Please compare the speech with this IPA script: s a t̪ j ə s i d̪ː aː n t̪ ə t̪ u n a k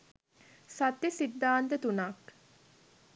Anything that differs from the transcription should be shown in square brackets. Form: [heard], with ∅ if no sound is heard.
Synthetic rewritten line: s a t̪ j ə s i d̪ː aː n t̪ ə t̪ u n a k